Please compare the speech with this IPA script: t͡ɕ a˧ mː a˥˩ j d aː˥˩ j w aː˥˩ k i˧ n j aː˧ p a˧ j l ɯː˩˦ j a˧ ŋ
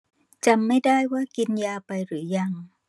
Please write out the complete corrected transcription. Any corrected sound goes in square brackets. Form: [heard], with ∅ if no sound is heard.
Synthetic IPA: t͡ɕ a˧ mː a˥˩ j d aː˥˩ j w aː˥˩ k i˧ n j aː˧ p a˧ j [ɾ] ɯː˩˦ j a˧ ŋ